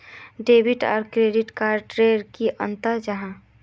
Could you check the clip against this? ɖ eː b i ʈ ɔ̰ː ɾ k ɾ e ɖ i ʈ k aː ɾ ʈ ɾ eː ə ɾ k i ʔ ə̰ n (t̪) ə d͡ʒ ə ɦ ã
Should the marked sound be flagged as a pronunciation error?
no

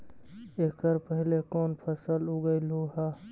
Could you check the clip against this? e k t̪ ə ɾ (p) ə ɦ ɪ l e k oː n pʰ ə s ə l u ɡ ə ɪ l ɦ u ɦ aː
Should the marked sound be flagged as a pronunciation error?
no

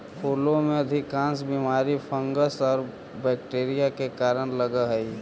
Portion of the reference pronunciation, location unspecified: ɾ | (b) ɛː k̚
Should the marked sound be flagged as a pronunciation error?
no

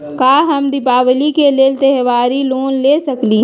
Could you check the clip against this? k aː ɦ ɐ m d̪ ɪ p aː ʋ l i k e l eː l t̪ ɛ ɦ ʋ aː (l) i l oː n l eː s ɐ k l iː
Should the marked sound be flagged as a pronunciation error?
yes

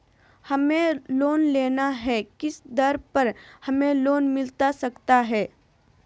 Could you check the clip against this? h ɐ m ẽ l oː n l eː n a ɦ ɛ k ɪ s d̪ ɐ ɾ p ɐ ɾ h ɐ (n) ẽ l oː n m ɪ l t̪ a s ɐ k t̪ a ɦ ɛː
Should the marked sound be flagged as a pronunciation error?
yes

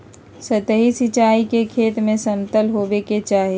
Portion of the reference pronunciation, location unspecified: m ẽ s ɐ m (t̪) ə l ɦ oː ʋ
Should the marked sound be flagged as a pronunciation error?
no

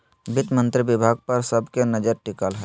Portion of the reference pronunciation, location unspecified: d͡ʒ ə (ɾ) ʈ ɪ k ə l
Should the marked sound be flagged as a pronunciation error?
no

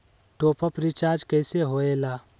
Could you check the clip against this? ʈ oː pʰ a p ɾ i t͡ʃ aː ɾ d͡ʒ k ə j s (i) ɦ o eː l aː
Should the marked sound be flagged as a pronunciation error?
yes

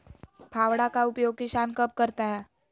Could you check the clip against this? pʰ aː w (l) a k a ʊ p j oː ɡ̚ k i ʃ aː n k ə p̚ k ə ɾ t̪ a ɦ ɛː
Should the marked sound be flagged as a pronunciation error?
yes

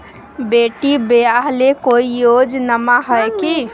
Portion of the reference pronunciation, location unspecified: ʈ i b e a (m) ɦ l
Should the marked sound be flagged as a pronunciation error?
yes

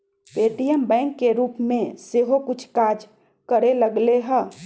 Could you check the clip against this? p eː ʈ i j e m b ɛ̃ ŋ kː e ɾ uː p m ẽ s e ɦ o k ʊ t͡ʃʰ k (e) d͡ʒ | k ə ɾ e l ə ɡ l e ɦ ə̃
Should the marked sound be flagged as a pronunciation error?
yes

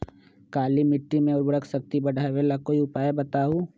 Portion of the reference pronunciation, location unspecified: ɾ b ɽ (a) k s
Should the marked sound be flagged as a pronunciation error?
yes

